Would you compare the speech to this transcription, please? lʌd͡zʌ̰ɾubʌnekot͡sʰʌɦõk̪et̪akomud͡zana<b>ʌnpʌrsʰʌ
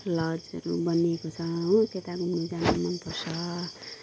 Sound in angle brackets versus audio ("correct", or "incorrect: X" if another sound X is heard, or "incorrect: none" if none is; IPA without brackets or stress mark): incorrect: m